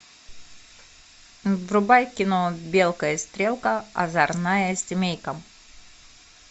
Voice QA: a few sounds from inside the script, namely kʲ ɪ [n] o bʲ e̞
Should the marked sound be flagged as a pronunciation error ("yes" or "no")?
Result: no